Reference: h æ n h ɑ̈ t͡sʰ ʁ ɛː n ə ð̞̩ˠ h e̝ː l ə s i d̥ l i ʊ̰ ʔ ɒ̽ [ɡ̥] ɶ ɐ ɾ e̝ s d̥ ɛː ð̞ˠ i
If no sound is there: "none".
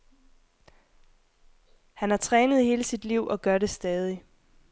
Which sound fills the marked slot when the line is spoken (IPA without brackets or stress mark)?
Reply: ɡ̥